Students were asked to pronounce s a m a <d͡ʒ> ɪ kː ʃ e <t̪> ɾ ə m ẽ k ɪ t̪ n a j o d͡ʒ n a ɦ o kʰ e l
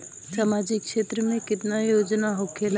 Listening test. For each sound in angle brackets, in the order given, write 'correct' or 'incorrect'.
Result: correct, correct

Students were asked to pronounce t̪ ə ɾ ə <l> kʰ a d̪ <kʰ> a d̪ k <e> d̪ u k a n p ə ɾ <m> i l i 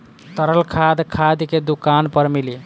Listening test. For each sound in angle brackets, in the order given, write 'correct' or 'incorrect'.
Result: correct, correct, correct, correct

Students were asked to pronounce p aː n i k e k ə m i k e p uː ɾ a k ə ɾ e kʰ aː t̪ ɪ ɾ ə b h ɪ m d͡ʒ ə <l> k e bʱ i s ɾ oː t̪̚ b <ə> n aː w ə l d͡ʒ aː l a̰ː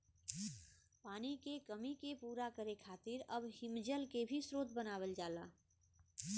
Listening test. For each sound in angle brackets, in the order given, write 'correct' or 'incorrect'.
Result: correct, correct

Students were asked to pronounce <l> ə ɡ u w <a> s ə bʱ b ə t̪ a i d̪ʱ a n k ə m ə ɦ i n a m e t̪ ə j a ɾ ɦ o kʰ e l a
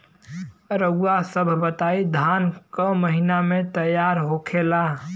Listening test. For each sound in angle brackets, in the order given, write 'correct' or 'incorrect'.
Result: incorrect: ɾ, correct

